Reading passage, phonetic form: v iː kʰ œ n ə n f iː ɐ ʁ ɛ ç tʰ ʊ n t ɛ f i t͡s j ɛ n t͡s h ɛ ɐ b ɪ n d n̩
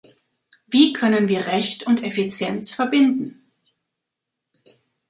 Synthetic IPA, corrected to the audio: v iː kʰ œ n ə n v iː ɐ ʁ ɛ ç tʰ ʊ n t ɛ f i t͡s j ɛ n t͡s f ɛ ɐ b ɪ n d n̩